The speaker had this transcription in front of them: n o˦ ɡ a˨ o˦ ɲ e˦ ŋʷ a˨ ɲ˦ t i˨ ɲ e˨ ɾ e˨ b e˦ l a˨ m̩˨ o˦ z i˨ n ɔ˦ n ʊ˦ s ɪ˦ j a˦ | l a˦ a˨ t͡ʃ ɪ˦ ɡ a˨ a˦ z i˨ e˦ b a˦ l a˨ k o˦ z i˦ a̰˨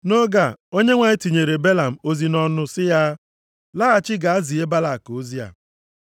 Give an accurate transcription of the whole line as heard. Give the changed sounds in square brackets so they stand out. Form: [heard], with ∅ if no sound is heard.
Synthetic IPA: n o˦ ɡ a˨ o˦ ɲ e˦ ŋʷ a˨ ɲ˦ t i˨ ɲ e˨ ɾ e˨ b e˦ l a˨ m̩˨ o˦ z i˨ n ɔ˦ n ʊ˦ s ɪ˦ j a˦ | l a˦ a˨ t͡ʃ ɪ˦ ɡ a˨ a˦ z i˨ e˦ b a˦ l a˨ k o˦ z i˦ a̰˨